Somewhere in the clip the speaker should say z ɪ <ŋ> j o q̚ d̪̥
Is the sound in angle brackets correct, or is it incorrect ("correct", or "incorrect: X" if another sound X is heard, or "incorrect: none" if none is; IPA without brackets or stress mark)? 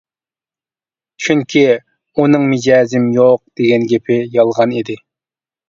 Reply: incorrect: m